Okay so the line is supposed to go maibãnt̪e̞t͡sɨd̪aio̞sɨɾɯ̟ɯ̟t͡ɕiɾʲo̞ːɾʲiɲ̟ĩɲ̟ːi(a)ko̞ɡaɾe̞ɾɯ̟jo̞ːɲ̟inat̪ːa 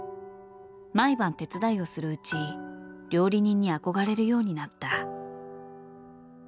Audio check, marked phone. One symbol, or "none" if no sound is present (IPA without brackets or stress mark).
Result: a